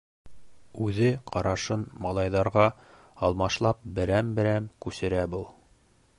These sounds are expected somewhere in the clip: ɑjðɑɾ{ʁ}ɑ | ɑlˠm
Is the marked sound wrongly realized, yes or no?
no